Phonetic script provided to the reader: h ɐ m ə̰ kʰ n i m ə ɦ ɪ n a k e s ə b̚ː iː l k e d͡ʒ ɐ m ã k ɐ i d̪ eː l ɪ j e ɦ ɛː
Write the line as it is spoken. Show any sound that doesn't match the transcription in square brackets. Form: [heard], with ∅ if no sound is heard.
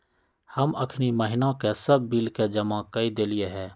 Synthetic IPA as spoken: h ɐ m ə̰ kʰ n i m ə ɦ ɪ n a k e s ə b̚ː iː l k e d͡ʒ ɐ m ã k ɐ i d̪ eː l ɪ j e ɦ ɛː